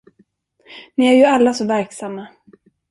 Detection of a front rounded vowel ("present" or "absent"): absent